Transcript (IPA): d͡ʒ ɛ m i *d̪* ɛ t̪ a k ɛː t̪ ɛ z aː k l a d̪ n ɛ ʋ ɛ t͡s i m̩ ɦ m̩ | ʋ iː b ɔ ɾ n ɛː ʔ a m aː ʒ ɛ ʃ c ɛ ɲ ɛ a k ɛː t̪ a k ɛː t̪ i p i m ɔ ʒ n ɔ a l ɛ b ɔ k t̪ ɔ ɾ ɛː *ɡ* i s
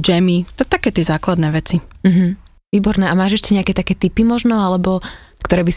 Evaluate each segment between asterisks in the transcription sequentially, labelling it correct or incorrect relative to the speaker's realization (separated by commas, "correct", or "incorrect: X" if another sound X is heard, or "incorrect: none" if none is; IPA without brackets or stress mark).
incorrect: t̪, incorrect: b